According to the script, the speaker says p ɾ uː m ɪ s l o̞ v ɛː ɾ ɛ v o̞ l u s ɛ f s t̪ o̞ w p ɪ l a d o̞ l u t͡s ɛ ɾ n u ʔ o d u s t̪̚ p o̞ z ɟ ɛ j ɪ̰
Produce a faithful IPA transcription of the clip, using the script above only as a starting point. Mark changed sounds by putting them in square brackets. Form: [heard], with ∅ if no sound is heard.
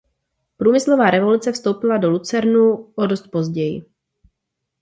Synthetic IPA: p ɾ uː m ɪ s l o̞ v [aː] ɾ ɛ v o̞ l u [t͡s] ɛ f s t̪ o̞ w p ɪ l a d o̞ l u t͡s ɛ ɾ n u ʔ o d [o] s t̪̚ p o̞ z ɟ ɛ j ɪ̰